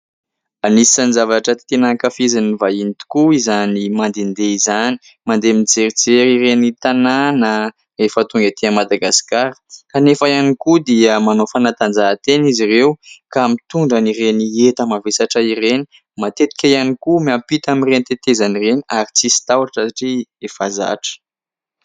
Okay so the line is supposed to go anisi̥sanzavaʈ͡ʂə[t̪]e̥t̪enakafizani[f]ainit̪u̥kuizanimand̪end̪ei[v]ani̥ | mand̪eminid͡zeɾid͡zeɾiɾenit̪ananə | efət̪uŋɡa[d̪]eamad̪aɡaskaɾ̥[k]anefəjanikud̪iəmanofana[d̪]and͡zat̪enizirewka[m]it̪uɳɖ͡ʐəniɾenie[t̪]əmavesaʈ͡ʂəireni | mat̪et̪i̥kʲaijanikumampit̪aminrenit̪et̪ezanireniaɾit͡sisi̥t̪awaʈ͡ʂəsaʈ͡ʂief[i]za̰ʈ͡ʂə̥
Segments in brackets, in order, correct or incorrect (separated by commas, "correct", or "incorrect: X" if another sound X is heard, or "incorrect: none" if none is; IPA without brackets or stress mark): correct, incorrect: v, incorrect: z, incorrect: t̪, correct, incorrect: t̪, correct, correct, incorrect: a